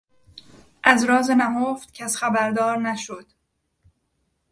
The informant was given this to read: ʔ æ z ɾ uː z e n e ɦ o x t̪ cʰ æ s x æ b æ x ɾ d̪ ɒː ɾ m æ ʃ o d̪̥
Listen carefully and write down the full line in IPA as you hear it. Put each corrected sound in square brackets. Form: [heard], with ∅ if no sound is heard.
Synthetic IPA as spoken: ʔ æ z ɾ [ɒː] z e n [æ] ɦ o [f] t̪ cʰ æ s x æ b æ [∅] ɾ d̪ ɒː ɾ [n] æ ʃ o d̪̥